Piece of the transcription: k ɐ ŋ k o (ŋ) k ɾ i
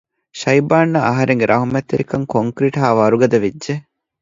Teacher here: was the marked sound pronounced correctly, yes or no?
yes